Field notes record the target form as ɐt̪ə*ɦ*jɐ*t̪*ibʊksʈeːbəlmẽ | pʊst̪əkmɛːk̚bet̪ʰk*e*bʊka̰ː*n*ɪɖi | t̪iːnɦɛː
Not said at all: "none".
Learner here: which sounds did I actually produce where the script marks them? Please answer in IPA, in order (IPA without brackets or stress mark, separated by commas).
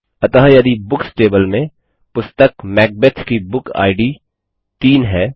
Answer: ɦ, d̪, i, none